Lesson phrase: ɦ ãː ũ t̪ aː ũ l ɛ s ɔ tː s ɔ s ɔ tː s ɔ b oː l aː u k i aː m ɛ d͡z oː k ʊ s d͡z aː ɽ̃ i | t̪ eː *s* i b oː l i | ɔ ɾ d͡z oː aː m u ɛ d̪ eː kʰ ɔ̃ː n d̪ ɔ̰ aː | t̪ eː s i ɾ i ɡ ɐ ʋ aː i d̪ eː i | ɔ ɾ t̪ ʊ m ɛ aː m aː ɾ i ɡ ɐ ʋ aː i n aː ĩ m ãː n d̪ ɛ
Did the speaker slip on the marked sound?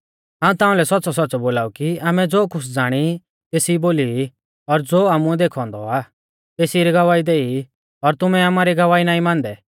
no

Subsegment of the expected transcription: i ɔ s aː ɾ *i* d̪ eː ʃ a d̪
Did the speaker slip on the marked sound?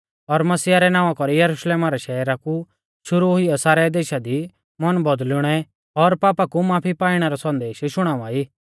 yes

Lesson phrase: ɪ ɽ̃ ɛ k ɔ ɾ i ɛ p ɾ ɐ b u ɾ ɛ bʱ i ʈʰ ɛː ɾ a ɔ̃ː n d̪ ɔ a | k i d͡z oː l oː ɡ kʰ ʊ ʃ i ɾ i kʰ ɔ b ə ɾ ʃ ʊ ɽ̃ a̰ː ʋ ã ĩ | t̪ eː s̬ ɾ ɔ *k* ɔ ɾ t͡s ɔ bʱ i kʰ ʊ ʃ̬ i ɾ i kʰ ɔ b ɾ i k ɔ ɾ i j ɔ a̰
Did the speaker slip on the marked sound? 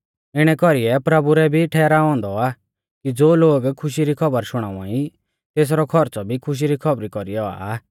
yes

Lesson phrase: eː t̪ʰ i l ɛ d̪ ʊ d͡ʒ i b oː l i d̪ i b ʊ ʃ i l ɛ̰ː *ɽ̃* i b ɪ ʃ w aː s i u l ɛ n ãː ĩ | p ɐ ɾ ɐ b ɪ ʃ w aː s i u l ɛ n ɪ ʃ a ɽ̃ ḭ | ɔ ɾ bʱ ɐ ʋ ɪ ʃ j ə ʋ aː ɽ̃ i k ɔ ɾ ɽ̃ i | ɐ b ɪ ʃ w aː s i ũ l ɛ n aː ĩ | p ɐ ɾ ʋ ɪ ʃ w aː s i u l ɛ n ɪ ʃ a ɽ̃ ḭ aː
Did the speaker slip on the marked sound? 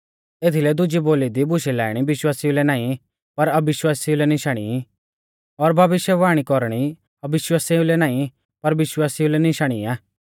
no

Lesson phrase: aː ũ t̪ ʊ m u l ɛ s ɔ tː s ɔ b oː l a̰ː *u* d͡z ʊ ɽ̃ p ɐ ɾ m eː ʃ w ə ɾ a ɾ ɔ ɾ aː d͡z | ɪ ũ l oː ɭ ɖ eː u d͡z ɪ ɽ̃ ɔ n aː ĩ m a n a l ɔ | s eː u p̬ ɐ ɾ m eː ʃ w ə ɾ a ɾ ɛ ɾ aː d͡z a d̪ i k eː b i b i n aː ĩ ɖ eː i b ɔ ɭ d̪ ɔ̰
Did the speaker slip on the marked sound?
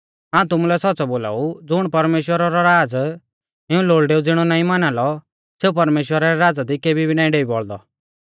no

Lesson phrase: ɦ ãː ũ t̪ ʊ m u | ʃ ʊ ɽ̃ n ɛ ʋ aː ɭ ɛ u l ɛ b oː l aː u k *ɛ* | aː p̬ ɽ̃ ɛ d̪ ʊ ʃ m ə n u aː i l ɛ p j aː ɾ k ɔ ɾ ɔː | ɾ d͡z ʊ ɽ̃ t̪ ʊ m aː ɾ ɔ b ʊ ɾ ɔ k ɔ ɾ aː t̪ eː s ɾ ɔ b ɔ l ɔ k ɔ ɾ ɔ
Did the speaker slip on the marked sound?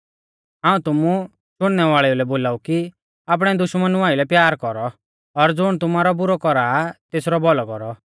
yes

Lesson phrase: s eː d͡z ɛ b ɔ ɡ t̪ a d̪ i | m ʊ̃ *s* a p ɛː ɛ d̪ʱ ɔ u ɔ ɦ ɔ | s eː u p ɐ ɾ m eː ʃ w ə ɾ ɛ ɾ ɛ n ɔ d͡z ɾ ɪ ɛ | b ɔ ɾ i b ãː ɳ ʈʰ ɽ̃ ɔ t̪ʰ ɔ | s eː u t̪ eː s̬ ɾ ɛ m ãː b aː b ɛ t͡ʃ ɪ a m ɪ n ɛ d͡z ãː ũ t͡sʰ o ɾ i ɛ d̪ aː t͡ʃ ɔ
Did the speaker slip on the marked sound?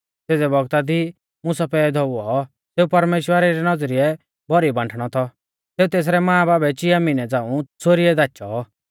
no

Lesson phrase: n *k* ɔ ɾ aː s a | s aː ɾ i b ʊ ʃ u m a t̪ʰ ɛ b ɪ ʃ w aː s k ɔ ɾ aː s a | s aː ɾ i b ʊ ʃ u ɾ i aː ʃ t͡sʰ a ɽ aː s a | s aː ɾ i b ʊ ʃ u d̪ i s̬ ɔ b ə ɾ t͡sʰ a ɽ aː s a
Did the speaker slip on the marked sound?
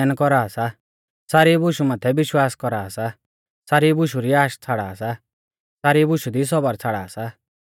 no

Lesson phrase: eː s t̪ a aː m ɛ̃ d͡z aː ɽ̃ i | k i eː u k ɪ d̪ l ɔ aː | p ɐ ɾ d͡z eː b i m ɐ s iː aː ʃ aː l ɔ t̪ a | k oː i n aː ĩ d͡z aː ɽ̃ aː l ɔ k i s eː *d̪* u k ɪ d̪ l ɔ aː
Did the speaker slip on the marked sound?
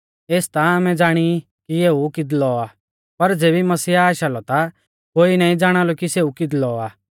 yes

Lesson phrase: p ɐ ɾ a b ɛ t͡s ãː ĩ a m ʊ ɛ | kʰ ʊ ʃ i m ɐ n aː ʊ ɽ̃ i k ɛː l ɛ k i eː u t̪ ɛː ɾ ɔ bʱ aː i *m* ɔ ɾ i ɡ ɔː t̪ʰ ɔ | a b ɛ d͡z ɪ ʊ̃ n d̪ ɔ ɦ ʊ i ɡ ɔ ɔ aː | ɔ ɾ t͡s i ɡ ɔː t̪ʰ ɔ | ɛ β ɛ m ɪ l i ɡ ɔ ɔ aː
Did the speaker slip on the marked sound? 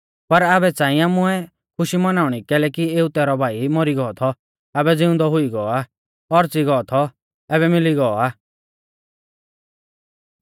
no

